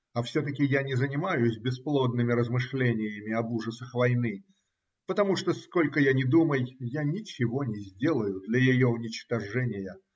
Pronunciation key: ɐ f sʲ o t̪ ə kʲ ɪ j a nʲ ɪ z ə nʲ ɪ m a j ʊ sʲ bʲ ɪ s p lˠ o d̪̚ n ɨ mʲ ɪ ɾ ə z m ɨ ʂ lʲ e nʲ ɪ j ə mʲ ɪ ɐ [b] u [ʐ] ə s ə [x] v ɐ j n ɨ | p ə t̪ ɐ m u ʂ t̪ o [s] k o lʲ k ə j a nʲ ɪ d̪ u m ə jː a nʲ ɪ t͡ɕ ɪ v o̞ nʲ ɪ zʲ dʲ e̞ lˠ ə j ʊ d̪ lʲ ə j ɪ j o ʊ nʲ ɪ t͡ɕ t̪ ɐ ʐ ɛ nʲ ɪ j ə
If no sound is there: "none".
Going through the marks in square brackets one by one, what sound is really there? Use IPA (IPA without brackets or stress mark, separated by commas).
b, ʐ, x, s